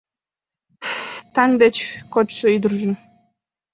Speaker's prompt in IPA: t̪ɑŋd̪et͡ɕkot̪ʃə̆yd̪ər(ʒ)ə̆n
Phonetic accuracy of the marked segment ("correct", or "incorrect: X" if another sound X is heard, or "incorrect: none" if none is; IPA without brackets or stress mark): correct